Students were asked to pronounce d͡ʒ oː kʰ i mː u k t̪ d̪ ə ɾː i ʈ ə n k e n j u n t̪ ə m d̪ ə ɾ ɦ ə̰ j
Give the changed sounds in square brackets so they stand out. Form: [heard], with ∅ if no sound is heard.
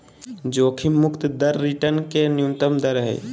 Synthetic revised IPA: d͡ʒ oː kʰ i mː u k t̪ d̪ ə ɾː i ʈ ə n k e n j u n t̪ ə m d̪ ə ɾ ɦ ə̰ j